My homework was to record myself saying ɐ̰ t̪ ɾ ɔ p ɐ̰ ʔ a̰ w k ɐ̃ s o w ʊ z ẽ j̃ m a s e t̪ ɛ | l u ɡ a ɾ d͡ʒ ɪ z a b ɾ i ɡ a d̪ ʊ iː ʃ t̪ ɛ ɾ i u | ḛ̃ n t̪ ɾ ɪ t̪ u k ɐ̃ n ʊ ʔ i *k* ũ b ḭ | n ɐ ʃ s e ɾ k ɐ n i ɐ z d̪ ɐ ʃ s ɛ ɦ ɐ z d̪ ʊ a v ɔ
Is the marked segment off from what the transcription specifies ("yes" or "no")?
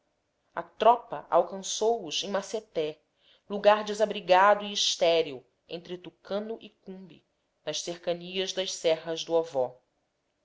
no